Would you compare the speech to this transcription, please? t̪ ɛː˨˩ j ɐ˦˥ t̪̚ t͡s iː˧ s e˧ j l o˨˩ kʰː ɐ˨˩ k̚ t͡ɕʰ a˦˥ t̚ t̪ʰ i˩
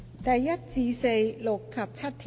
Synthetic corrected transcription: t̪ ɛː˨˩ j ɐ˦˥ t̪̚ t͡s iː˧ s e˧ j l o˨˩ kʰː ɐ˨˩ p̚ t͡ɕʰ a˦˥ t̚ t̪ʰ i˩

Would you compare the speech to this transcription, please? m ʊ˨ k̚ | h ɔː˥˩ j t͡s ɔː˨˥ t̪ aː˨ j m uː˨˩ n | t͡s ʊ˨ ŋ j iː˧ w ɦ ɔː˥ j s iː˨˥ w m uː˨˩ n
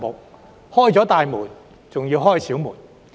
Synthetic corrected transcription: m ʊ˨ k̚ | h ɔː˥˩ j t͡s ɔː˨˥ t̪ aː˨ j m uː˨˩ n | t͡s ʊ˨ ŋ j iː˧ w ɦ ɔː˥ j s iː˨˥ w m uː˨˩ n

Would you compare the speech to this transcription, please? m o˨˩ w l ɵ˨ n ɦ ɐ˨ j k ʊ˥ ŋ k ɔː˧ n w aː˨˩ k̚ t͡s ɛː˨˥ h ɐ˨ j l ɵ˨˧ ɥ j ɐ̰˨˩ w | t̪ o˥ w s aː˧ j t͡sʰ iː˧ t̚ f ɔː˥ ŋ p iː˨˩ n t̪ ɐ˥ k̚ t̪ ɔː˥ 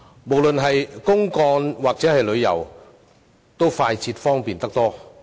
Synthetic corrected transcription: m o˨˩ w l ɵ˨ n ɦ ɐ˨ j k ʊ˥ ŋ k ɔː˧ n w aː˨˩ k̚ t͡s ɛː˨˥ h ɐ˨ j l ɵ˨˧ ɥ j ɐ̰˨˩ w | t̪ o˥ w f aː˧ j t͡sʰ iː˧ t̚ f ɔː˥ ŋ p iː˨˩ n t̪ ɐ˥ k̚ t̪ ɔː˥

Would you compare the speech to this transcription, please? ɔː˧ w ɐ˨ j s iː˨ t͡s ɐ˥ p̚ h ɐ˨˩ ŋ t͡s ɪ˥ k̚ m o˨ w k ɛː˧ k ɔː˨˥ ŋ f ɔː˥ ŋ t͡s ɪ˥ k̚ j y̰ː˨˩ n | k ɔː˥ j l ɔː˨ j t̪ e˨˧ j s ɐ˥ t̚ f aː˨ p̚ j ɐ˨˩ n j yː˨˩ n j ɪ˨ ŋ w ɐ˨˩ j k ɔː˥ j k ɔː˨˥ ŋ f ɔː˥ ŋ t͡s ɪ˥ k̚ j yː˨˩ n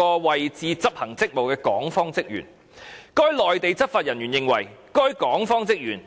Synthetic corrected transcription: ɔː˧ w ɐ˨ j t͡s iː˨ t͡s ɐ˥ p̚ h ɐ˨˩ ŋ t͡s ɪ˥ k̚ m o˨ w k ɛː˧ k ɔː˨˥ ŋ f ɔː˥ ŋ t͡s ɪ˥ k̚ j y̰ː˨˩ n | k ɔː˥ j l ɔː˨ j t̪ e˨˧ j t͡s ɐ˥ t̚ f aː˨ t̚ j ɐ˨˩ n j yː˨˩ n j ɪ˨ ŋ w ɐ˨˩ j k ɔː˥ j k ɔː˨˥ ŋ f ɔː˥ ŋ t͡s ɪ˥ k̚ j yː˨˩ n

